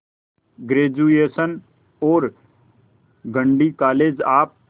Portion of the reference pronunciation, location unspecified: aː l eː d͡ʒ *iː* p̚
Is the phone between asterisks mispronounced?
yes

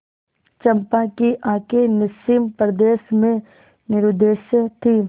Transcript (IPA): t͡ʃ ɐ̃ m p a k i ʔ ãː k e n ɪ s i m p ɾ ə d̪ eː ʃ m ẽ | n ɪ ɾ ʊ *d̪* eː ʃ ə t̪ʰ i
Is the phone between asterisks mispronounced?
no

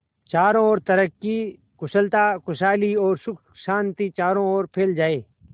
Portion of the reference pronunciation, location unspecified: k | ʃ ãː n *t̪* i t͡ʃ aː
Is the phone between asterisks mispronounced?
no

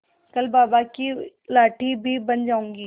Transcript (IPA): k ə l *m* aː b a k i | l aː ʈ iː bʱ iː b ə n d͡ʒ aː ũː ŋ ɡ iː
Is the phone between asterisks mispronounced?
yes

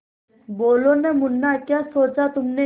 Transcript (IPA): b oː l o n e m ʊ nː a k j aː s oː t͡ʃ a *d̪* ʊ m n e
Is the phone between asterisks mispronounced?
yes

